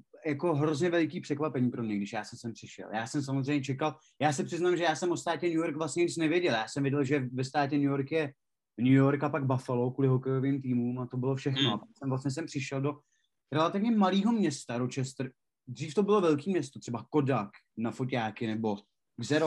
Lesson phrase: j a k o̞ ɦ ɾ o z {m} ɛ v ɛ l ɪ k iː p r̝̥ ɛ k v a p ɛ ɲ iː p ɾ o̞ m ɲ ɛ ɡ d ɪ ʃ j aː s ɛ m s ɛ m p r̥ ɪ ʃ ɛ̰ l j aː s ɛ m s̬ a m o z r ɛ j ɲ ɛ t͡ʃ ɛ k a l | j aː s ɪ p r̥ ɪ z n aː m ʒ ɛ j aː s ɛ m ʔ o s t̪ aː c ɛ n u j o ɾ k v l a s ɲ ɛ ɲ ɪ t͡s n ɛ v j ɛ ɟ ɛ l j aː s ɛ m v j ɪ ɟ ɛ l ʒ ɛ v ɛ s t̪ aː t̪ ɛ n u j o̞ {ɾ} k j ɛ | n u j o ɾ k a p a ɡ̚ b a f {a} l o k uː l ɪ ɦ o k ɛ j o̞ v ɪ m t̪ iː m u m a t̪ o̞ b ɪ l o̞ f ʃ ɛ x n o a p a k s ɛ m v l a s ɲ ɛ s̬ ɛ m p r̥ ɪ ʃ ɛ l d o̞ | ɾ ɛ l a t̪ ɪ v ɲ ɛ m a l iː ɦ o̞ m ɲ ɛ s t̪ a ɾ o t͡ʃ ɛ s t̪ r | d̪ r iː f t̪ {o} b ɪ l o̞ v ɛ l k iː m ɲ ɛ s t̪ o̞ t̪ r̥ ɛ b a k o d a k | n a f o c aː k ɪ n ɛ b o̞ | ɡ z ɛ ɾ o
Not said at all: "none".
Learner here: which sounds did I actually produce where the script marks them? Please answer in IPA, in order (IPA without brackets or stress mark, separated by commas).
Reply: ɲ, ɾ, a, o